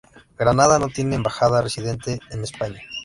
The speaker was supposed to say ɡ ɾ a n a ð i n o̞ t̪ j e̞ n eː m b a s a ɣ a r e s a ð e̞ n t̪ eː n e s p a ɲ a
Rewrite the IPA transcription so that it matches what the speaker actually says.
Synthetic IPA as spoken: ɡ ɾ a n a ð a n o̞ t̪ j e̞ n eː m b a x a ð a r e s i ð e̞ n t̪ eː n e s p a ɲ a